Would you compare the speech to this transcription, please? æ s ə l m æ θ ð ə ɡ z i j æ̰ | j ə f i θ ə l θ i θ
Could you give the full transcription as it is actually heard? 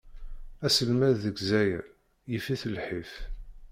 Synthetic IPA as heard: æ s ə l m æ ð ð ə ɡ z æ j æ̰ | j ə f i θ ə l ħ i f